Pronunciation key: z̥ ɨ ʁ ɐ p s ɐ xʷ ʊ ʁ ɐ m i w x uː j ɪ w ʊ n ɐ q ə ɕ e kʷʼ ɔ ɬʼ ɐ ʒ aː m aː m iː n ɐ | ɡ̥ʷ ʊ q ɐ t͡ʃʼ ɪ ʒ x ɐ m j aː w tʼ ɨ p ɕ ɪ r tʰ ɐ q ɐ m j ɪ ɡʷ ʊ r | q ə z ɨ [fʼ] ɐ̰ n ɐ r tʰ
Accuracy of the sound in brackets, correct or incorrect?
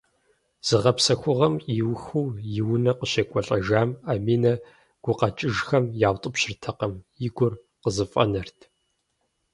correct